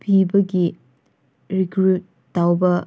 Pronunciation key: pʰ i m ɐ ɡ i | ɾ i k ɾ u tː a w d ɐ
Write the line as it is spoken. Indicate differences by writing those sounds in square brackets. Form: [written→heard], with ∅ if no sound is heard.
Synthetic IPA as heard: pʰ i [m→b] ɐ ɡ i | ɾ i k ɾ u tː a w [d→b] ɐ